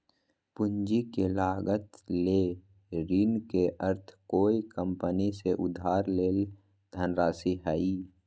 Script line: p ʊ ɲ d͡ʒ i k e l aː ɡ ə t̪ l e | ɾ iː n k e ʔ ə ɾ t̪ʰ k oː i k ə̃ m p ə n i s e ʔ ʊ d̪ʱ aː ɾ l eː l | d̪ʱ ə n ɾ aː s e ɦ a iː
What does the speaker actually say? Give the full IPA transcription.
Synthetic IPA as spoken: p ʊ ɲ d͡ʒ i k e l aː ɡ ə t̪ l e | ɾ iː n k e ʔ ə ɾ t̪ʰ k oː i k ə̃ m p ə n i s e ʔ ʊ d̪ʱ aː ɾ l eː l | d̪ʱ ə n ɾ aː s i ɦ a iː